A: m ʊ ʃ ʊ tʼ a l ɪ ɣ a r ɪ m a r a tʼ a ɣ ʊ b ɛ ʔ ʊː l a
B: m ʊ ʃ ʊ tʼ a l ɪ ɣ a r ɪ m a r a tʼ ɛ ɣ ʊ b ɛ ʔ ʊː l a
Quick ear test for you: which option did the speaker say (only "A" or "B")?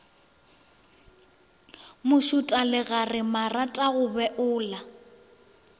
A